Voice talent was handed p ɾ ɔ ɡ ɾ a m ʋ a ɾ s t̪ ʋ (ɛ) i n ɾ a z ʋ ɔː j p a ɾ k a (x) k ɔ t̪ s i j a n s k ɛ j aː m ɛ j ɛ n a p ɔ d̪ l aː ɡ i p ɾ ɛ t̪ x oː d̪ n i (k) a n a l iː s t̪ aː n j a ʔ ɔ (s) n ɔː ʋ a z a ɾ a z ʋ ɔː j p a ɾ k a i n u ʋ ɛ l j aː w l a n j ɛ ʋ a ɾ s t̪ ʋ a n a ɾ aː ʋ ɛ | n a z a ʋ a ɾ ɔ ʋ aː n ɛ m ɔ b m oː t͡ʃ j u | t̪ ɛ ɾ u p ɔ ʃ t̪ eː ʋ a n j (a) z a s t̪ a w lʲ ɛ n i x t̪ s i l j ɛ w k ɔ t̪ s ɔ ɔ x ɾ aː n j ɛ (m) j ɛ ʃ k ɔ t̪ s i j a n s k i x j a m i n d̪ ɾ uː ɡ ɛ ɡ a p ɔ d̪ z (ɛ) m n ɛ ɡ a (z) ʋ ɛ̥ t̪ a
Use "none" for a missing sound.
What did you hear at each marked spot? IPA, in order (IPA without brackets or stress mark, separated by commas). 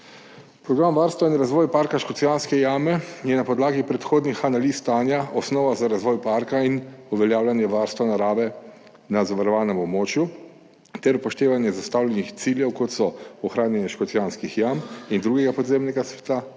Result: a, ʃ, x, s, ɛ, n, e, s